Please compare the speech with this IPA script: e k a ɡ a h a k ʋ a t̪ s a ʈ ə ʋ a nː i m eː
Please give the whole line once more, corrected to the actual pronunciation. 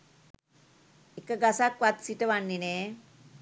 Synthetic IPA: e k ə ɡ a s a k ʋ a t̪ s i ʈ ə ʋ a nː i n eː